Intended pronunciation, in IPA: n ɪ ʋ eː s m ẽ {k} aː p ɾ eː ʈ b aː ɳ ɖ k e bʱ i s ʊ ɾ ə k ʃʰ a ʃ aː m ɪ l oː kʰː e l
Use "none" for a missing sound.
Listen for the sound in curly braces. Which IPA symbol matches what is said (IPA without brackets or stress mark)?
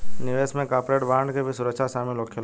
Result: k